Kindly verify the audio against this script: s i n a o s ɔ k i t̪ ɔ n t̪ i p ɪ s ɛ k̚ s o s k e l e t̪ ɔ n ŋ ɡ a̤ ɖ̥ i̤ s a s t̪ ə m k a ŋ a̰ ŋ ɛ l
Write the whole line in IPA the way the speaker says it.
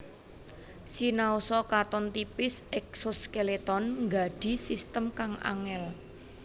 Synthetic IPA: s i n a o s ɔ k a t̪ ɔ n t̪ i p ɪ s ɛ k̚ s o s k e l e t̪ ɔ n ŋ ɡ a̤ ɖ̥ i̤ s i s t̪ ə m k a ŋ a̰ ŋ ɛ l